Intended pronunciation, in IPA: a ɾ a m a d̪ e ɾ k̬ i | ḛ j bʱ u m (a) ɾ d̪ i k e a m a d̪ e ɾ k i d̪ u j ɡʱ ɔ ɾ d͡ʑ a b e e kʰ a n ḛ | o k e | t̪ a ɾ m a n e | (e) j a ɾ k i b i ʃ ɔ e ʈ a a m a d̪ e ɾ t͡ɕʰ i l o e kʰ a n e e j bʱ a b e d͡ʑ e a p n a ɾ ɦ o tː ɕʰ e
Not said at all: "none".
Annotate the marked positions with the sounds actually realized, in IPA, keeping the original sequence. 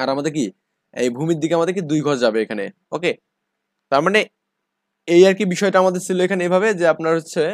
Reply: i, e

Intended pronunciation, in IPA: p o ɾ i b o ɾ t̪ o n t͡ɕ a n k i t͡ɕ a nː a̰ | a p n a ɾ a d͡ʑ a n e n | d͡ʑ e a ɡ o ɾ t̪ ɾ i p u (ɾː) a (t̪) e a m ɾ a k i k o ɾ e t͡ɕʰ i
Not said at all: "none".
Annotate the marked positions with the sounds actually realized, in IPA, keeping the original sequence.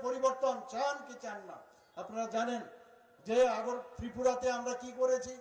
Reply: ɾ, t̪

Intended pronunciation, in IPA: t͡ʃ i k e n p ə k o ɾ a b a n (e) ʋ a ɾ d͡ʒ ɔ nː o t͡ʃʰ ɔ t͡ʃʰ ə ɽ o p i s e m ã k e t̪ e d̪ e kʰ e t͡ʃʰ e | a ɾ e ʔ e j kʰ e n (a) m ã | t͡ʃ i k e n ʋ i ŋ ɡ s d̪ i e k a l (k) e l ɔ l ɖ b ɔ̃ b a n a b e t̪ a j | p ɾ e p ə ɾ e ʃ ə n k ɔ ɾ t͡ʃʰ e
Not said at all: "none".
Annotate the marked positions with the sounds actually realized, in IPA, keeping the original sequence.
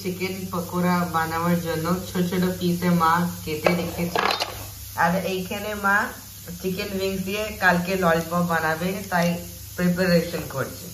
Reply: a, e, k

